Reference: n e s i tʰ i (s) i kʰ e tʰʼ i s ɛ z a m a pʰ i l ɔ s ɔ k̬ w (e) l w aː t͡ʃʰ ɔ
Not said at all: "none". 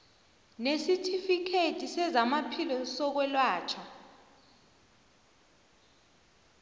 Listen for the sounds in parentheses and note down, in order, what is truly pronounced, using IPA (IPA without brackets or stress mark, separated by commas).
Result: f, ɛ